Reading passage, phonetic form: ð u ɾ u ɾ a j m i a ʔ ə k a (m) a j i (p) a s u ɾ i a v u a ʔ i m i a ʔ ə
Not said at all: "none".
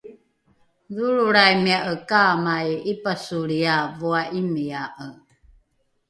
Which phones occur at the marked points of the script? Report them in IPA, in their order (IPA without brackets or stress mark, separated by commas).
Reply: m, p